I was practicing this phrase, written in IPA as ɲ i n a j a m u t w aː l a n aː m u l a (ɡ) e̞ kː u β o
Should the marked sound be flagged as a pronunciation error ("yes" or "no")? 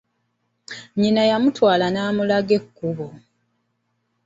no